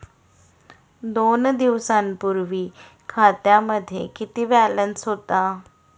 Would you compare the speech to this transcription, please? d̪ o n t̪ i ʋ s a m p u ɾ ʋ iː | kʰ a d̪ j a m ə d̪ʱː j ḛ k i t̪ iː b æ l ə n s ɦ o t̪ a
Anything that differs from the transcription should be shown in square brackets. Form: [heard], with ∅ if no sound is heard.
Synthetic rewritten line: d̪ o n [d̪] i ʋ s a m p u ɾ ʋ iː | kʰ a [t̪] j a m ə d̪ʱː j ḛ k i t̪ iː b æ l ə n s ɦ o t̪ a